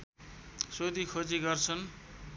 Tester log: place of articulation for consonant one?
alveolar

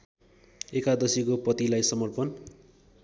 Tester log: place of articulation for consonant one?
velar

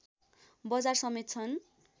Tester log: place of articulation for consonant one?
labial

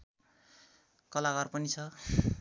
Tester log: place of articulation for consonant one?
velar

